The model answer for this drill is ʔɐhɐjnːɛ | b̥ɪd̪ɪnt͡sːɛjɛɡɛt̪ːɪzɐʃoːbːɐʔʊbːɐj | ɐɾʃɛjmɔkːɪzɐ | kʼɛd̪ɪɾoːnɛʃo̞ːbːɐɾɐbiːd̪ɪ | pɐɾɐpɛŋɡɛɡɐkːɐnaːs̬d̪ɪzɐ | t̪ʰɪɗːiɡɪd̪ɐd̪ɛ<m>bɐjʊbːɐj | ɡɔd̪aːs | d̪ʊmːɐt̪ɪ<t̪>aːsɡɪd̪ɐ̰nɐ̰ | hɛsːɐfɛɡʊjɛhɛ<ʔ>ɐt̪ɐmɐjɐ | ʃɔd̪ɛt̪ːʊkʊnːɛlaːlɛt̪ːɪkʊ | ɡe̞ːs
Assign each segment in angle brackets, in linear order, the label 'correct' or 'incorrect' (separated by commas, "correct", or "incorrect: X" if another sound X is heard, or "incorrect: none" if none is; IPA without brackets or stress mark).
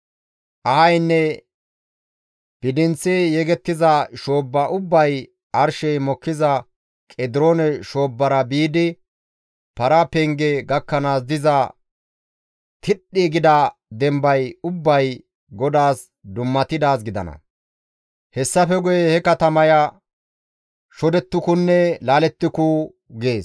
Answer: correct, incorrect: d̪, incorrect: k